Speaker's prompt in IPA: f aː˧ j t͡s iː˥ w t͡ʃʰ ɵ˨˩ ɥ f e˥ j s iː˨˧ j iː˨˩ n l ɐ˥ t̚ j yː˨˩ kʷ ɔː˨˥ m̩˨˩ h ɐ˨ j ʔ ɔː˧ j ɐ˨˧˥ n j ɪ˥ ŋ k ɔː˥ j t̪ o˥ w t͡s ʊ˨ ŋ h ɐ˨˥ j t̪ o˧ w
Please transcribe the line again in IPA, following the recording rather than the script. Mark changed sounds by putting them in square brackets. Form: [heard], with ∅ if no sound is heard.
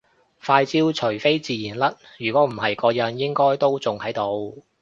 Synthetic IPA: f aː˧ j t͡s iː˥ w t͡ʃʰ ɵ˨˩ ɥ f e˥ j [t͡s] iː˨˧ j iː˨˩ n l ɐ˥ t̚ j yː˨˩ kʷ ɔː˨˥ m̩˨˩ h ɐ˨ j [k] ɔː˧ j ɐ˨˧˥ n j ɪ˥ ŋ k ɔː˥ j t̪ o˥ w t͡s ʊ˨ ŋ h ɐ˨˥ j t̪ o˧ w